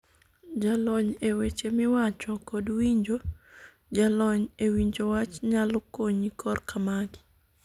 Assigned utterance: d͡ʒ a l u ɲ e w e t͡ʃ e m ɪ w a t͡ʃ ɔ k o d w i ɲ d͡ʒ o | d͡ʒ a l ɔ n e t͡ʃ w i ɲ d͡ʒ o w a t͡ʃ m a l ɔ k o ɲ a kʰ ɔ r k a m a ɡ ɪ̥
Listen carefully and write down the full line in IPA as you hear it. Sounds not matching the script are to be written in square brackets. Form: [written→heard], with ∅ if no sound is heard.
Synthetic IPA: d͡ʒ a l [u→ɔ] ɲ e w e t͡ʃ e m ɪ w a t͡ʃ ɔ k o d w i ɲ d͡ʒ o | d͡ʒ a l ɔ [n→ɲ] e [t͡ʃ→∅] w i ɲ d͡ʒ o w a t͡ʃ [m→ɲ] a l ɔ k o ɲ [a→i] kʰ ɔ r k a m a ɡ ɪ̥